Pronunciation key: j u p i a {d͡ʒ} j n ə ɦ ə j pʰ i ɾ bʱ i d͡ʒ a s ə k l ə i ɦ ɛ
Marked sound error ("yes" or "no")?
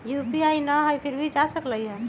yes